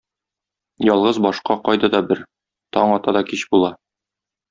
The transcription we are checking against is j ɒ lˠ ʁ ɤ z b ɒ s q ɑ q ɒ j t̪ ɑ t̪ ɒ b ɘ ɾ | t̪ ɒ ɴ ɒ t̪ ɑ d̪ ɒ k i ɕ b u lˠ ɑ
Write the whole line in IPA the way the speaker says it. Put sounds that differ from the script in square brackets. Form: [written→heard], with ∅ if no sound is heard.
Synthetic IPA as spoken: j ɒ lˠ ʁ ɤ z b ɒ [s→ʃ] q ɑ q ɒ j [t̪→d̪] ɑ [t̪→d̪] ɒ b ɘ ɾ | t̪ ɒ ɴ ɒ t̪ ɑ d̪ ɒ k i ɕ b u lˠ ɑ